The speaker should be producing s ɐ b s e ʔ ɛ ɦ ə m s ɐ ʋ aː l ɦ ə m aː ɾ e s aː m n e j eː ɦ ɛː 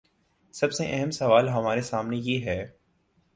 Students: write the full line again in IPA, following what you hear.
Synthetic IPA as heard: s ɐ b s e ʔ ɛ ɦ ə m s ɐ ʋ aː l ɦ ɐ m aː ɾ e s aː m n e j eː ɦ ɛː